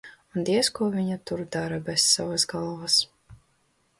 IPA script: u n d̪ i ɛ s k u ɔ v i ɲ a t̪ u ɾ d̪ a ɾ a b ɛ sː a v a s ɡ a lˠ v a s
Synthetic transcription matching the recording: u n d̪ i ɛ s k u ɔ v i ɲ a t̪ u ɾ d̪ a ɾ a b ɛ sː a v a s ɡ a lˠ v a s